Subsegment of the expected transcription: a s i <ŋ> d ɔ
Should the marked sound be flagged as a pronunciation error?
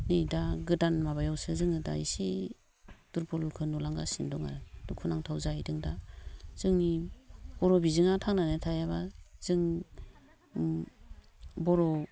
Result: yes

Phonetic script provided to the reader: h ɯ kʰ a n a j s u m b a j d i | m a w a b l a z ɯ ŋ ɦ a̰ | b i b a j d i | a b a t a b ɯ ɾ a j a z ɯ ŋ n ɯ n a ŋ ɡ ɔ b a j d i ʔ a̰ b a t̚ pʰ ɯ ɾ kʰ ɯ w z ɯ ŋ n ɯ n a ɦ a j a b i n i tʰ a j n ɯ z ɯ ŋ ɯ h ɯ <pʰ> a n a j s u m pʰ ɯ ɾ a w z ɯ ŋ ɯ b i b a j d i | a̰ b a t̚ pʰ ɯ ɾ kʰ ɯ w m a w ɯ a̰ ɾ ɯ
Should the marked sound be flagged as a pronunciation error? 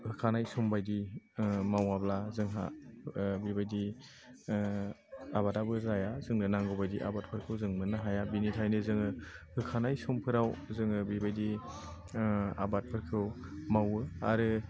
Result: yes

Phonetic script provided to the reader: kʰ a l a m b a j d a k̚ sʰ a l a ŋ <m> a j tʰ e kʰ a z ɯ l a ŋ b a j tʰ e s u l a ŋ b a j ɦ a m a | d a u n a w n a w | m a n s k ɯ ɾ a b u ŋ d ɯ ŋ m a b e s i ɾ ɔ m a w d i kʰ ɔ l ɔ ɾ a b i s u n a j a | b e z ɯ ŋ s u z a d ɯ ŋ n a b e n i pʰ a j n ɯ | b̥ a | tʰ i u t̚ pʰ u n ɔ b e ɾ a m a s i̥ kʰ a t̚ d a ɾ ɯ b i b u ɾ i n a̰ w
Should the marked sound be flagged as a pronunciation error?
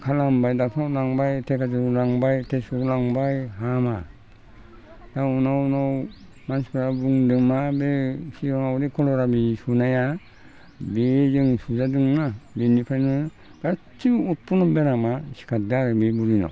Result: yes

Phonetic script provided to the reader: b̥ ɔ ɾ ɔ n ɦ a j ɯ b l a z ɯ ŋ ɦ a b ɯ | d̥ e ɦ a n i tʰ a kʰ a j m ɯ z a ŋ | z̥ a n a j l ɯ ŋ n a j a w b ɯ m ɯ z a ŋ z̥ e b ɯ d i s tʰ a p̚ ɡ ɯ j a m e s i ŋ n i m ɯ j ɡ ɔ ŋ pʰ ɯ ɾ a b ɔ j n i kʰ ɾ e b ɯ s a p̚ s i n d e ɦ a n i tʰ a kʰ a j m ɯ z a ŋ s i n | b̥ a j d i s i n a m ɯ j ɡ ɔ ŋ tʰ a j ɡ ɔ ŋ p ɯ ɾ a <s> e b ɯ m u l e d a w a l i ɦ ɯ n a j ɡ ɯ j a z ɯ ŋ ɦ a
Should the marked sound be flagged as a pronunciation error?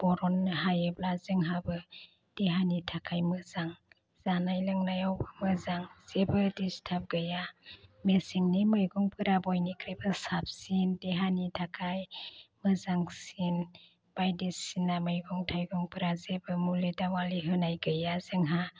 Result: yes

